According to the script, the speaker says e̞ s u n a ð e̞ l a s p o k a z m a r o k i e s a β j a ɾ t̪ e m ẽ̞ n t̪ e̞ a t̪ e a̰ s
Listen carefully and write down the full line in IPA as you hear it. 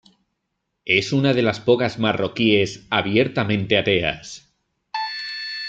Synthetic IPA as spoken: e̞ s u n a ð e̞ l a s p o k a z m a r o k i e s a β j e ɾ t̪ a m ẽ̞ n t̪ e̞ a t̪ e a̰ s